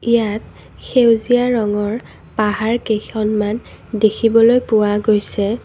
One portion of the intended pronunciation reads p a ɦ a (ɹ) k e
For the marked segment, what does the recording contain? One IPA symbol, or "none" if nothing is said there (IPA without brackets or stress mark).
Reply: ɹ